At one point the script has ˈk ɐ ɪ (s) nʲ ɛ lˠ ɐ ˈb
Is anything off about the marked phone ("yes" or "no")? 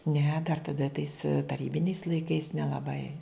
no